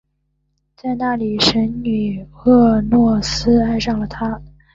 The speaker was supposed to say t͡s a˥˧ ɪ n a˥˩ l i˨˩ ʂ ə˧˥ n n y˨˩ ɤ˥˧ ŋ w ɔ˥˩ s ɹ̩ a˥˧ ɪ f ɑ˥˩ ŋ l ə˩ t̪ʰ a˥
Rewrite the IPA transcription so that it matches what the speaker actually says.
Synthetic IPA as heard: t͡s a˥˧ ɪ n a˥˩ l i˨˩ ʂ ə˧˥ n n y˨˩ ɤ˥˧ n w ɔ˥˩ s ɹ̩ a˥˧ ɪ ʂ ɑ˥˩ ŋ l ə˩ t̪ʰ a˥